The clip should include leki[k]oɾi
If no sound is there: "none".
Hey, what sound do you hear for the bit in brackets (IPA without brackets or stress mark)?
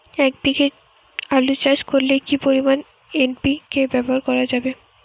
p